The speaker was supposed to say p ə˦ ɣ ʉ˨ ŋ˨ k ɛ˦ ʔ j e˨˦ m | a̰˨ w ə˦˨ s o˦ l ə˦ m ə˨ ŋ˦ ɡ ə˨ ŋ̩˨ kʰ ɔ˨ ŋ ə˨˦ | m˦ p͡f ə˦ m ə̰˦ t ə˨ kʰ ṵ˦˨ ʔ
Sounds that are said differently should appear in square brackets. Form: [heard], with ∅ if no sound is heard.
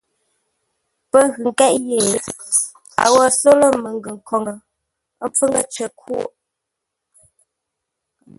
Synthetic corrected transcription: p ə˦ ɣ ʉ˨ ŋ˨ k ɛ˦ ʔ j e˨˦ [∅] | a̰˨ w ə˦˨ s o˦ l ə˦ m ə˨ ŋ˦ ɡ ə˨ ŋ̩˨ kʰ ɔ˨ ŋ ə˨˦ | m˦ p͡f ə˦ [ŋ] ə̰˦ [t͡ʃ] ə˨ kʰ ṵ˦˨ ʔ

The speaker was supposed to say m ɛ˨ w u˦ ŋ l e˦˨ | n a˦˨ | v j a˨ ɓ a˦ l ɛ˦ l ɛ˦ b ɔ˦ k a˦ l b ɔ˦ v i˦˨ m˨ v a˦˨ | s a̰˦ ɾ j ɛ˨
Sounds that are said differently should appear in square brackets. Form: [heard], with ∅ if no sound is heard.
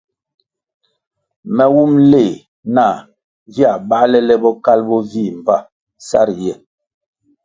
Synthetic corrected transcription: m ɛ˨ w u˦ [m] l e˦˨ | n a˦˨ | v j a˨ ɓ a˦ l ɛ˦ l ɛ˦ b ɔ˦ k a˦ l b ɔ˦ v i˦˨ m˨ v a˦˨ | s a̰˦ ɾ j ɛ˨

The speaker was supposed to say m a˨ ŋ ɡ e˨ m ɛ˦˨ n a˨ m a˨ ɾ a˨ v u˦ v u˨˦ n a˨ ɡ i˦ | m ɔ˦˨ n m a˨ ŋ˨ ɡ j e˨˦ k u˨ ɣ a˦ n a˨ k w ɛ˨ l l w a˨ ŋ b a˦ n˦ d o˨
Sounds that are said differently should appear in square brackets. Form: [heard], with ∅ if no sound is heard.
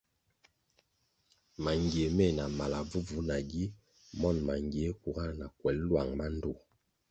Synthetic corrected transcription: m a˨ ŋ ɡ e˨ m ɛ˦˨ n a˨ m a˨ [l] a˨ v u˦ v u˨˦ n a˨ ɡ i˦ | m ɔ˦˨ n m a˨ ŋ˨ ɡ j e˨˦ k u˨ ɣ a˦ n a˨ k w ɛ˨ l l w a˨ ŋ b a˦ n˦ d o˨

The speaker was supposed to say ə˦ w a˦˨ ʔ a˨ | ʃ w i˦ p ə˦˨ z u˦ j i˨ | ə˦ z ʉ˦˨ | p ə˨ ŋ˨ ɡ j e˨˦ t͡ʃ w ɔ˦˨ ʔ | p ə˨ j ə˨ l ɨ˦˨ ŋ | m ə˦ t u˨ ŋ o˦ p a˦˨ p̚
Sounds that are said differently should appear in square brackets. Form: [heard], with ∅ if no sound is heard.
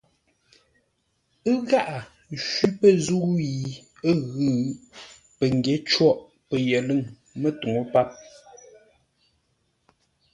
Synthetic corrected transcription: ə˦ [ɣ] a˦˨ ʔ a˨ | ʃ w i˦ p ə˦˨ z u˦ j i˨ | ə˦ [ɣ] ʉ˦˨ | p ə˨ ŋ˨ ɡ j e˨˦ t͡ʃ w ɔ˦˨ ʔ | p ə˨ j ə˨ l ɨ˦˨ ŋ | m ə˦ t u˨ ŋ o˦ p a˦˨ p̚

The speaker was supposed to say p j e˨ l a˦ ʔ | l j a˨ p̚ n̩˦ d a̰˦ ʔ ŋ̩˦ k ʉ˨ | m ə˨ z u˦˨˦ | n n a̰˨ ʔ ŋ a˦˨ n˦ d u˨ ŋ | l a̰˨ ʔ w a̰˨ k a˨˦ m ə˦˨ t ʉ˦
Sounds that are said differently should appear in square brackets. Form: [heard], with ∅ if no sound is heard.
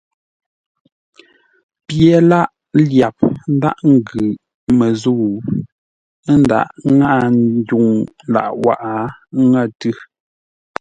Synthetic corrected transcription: p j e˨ l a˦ ʔ | l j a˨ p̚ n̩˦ d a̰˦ ʔ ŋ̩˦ [ɡ] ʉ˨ | m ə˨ z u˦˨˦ | n [d] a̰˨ ʔ ŋ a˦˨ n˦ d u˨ ŋ | l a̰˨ ʔ w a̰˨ [ʔ] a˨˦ [ŋ] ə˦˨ t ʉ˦

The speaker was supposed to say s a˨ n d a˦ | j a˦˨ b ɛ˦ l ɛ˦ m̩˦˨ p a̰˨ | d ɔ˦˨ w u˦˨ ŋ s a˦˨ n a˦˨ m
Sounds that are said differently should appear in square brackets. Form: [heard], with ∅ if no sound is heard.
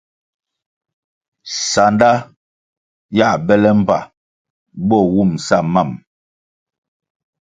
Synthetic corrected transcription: s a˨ n d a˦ | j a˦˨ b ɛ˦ l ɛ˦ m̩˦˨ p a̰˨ | [b] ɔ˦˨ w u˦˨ [m] s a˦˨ [m] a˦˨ m

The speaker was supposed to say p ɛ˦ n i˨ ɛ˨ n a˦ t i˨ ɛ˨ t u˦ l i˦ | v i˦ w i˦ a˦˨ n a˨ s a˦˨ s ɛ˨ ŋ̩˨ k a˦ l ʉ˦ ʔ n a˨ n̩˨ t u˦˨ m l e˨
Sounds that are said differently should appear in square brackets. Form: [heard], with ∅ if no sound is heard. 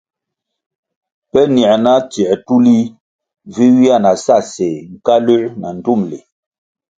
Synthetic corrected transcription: p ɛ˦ n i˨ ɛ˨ n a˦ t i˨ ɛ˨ t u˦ l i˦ | v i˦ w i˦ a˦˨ n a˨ s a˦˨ s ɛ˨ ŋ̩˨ k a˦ l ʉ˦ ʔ n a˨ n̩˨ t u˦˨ m l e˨

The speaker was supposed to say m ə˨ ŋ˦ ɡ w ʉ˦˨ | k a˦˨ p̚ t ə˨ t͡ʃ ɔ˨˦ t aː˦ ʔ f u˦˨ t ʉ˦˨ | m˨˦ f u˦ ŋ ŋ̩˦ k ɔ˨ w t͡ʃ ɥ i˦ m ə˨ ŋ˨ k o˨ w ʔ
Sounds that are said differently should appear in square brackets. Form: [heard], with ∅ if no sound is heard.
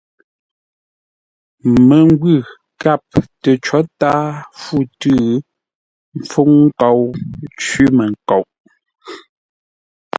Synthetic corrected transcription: m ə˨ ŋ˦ ɡ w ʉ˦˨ | k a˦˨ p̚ t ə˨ t͡ʃ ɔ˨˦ t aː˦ [∅] f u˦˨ t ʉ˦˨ | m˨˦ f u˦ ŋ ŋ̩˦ k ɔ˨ w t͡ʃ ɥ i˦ m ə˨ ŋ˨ k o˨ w ʔ

